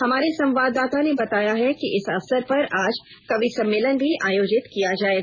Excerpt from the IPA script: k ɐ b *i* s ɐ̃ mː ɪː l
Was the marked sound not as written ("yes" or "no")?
no